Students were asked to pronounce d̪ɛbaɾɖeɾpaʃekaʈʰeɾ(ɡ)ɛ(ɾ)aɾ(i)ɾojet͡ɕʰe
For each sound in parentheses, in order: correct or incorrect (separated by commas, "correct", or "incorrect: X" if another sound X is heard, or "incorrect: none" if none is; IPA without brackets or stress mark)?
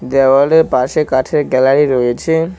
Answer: correct, incorrect: l, correct